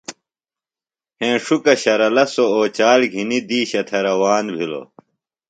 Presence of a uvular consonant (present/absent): absent